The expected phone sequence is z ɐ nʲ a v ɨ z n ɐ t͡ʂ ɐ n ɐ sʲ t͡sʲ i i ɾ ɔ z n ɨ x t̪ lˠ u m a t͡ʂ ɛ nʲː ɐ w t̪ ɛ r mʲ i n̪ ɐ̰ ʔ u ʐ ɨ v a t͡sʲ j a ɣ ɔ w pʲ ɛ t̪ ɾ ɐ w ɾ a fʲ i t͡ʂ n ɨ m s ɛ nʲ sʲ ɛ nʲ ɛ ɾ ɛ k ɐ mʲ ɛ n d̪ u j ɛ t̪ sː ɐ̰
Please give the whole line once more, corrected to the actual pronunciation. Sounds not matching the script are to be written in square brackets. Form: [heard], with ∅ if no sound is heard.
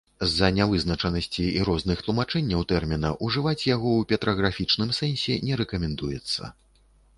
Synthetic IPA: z ɐ nʲ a v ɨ z n ɐ t͡ʂ ɐ n ɐ sʲ t͡sʲ i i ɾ ɔ z n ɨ x t̪ lˠ u m a t͡ʂ ɛ nʲː ɐ w t̪ ɛ r mʲ i n̪ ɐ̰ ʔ u ʐ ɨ v a t͡sʲ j a ɣ ɔ w pʲ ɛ t̪ ɾ ɐ [ɣ] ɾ a fʲ i t͡ʂ n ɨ m s ɛ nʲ sʲ ɛ nʲ ɛ ɾ ɛ k ɐ mʲ ɛ n d̪ u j ɛ t̪ sː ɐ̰